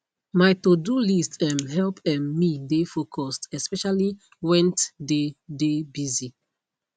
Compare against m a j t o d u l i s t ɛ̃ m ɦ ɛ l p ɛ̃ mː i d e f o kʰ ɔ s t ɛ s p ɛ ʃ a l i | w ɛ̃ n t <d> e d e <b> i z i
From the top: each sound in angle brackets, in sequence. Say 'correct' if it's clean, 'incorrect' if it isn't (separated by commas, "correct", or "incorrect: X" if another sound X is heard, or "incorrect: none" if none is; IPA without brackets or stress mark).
correct, correct